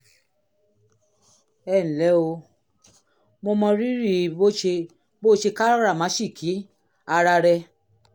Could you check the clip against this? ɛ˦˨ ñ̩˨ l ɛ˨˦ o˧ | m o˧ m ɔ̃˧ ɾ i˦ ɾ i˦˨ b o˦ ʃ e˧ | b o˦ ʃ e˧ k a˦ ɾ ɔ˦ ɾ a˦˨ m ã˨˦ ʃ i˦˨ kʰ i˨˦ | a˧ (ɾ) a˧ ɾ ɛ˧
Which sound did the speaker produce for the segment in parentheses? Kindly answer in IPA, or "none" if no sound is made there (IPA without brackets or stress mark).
ɾ